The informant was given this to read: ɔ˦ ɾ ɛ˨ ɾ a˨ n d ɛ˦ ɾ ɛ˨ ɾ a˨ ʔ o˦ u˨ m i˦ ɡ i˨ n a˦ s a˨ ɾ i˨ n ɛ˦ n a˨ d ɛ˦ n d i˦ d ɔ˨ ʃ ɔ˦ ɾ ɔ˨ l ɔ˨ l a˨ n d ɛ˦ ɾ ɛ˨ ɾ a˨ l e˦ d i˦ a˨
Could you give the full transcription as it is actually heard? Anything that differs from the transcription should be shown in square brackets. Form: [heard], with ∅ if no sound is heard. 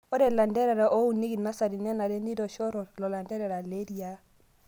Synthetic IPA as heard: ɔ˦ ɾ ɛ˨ [l] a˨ n d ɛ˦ ɾ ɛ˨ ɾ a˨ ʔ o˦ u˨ [n] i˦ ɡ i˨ n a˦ s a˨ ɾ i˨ n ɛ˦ n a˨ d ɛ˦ n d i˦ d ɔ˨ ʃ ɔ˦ ɾ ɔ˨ l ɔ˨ l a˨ n d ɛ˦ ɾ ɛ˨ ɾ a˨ l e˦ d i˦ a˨